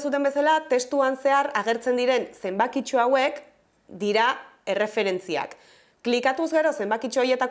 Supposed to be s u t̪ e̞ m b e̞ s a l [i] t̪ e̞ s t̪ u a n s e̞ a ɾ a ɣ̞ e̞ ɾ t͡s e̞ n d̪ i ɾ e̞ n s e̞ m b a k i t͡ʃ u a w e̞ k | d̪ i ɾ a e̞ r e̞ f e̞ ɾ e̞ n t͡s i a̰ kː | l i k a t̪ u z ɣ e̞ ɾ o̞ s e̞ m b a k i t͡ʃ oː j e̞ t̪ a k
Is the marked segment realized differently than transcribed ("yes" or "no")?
yes